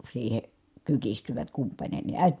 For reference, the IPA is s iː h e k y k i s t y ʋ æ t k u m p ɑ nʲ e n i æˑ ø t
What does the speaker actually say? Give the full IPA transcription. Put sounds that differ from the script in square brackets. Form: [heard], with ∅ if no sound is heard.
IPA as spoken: s iː h e k y k i s t y ʋ æ t k u m p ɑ nʲ e n i æˑ [e] t